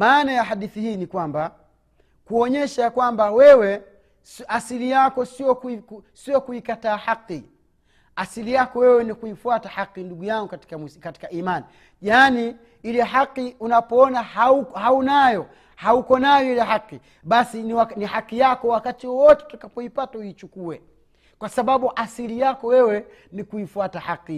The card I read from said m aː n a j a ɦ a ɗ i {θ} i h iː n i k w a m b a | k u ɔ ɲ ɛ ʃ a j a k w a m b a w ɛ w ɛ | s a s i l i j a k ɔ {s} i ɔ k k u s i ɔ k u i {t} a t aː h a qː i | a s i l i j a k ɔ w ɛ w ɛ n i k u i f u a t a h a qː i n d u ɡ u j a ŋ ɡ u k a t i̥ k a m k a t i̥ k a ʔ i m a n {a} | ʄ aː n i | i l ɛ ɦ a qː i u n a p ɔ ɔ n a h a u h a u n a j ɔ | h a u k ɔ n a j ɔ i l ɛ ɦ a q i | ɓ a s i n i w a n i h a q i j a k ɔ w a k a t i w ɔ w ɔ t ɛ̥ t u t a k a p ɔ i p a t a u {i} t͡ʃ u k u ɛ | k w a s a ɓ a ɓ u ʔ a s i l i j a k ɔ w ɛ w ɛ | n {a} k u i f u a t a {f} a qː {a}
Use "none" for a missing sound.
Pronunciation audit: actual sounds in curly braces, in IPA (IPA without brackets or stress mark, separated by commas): θ, s, k, i, i, i, h, i